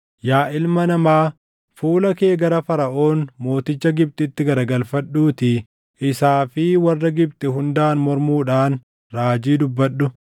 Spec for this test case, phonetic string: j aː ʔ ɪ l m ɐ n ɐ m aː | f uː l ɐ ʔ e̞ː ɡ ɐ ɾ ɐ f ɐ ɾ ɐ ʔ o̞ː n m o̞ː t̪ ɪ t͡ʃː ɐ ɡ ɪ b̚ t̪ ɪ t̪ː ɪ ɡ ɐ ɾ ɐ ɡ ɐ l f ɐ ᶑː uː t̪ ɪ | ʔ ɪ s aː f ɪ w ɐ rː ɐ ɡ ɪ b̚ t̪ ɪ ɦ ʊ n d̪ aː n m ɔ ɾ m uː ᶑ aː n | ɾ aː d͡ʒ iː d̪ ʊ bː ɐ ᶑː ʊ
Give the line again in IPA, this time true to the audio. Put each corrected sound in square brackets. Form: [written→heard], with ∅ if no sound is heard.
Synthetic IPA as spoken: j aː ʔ ɪ l m ɐ n ɐ m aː | f uː l ɐ [ʔ→k] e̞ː ɡ ɐ ɾ ɐ f ɐ ɾ ɐ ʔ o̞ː n m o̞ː t̪ ɪ t͡ʃː ɐ ɡ ɪ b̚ t̪ ɪ t̪ː ɪ ɡ ɐ ɾ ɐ ɡ ɐ l f ɐ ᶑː uː t̪ ɪ | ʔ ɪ s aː f ɪ w ɐ rː ɐ ɡ ɪ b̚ t̪ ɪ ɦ ʊ n d̪ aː n m ɔ ɾ m uː ᶑ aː n | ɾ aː d͡ʒ iː d̪ ʊ bː ɐ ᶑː ʊ